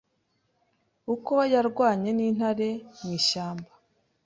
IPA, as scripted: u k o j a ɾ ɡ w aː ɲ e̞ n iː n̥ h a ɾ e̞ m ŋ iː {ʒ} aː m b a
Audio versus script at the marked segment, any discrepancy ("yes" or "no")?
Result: yes